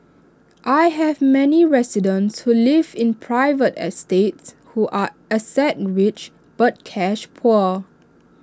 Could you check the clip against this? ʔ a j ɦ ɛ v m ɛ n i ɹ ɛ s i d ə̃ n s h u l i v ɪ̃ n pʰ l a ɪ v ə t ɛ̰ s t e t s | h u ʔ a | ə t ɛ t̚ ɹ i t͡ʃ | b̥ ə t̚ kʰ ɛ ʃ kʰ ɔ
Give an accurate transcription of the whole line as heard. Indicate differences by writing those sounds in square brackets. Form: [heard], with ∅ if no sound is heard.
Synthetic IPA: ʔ a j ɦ ɛ v m ɛ n i ɹ ɛ s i d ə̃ n s h u l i v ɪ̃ n pʰ [ɹ] a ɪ v ə t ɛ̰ s t e t s | h u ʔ a | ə [s] ɛ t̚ ɹ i t͡ʃ | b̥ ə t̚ kʰ ɛ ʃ [pʰ] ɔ